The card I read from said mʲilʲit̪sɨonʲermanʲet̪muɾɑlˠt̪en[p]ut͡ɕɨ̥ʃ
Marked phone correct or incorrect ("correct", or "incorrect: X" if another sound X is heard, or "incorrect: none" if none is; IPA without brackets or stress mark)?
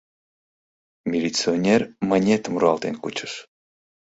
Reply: incorrect: k